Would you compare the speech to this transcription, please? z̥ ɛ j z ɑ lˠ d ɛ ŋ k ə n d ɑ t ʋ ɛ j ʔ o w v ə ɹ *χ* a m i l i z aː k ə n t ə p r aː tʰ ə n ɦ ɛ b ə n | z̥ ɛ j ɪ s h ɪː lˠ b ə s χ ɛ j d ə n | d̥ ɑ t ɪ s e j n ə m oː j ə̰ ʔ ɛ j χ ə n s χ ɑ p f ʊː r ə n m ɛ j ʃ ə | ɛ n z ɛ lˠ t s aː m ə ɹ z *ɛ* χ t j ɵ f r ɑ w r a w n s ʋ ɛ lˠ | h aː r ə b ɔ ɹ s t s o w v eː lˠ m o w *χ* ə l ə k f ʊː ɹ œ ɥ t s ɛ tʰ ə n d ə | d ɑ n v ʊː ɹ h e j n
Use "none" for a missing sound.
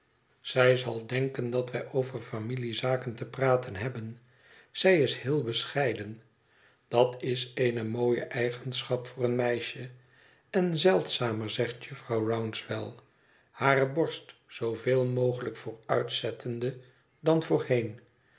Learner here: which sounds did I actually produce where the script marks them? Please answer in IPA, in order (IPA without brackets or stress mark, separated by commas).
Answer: f, ɛ, χ